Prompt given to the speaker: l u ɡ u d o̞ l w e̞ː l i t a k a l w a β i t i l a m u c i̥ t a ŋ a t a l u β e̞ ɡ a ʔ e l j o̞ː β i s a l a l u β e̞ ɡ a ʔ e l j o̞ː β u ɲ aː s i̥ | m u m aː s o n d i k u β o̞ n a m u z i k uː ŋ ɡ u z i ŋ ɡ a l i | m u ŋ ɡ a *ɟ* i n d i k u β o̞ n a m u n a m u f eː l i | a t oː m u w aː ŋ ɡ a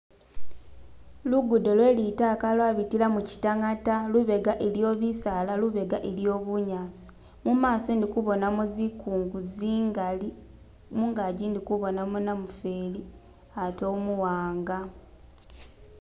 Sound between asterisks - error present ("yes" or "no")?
no